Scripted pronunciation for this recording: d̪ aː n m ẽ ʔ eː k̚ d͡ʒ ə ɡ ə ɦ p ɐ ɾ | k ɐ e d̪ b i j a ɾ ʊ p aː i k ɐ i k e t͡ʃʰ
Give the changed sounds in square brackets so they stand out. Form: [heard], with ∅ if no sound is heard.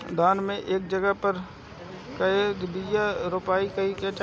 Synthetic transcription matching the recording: d̪ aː n m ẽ ʔ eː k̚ d͡ʒ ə ɡ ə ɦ p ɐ ɾ | k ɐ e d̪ b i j a ɾ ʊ p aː i k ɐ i k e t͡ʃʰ